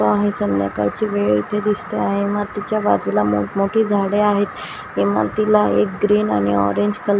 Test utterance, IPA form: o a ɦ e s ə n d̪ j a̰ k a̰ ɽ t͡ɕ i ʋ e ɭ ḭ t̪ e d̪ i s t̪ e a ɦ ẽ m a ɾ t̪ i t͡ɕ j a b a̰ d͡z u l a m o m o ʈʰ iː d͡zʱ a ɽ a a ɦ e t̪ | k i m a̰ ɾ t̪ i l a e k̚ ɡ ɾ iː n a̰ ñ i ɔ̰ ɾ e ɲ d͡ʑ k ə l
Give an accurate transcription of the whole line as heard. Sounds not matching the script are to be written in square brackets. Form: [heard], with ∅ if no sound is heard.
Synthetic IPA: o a ɦ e s ə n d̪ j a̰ k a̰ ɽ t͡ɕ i ʋ e ɭ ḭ t̪ e d̪ i s t̪ e a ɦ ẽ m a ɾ t̪ i t͡ɕ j a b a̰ d͡z u l a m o m o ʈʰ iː d͡zʱ a ɽ [e] a ɦ e t̪ | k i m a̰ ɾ t̪ i l a e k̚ ɡ ɾ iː n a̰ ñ i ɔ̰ ɾ e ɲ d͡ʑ k ə l